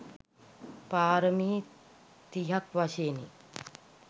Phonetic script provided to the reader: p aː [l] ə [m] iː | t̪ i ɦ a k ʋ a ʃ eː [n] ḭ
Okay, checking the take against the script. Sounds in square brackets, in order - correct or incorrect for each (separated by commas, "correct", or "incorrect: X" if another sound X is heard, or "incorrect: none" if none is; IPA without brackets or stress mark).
incorrect: ɾ, correct, correct